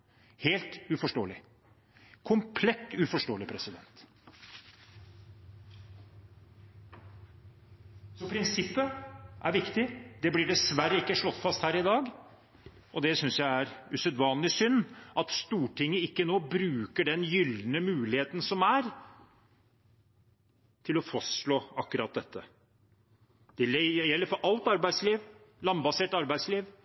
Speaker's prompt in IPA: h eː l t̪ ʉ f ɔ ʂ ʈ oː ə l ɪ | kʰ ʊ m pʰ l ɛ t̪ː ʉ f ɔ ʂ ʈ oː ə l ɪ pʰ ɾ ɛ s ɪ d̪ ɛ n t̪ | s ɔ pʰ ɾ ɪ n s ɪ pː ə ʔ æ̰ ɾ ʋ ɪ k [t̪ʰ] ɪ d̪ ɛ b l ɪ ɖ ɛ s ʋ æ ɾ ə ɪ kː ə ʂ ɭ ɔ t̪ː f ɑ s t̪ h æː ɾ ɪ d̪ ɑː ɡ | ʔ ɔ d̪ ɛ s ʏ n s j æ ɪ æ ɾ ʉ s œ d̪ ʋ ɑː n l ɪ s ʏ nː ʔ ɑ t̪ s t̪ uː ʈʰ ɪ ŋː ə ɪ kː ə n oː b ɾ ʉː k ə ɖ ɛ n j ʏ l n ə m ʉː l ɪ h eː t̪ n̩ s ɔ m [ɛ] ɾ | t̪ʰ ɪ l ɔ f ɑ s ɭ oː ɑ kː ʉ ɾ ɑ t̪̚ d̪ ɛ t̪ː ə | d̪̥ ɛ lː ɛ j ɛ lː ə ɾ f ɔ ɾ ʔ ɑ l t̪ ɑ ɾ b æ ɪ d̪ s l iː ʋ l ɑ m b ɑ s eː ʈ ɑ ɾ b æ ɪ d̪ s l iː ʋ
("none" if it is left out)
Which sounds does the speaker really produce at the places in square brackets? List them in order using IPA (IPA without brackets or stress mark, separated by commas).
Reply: t̪, æ